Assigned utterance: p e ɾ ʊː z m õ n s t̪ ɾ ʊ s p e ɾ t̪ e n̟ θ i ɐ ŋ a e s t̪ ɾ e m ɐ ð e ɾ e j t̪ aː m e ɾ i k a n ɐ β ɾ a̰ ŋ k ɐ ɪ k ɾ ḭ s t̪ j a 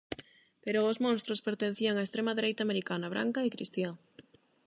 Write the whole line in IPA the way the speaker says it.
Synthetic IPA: p e ɾ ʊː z m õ n s t̪ ɾ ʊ s p e ɾ t̪ e n̟ θ i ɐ ŋ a e s t̪ ɾ e m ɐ ð e ɾ e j t̪ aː m e ɾ i k a n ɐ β ɾ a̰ ŋ k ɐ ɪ k ɾ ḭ s t̪ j a